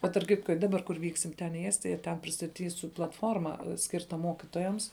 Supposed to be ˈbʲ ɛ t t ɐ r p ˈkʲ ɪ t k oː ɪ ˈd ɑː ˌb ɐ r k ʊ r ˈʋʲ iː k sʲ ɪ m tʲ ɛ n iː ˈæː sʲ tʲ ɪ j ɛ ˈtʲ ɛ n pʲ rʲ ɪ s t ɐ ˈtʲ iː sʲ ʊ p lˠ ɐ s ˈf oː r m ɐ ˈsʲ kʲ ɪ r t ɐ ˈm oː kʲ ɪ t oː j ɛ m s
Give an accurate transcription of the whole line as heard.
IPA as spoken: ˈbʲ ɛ t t ɐ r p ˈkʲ ɪ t k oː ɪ ˈd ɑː ˌb ɐ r k ʊ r ˈʋʲ iː k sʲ ɪ m tʲ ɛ n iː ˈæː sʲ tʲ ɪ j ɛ ˈtʲ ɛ n pʲ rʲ ɪ s t ɐ ˈtʲ iː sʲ ʊ p lˠ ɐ t ˈf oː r m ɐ ˈsʲ kʲ ɪ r t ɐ ˈm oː kʲ ɪ t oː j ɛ m s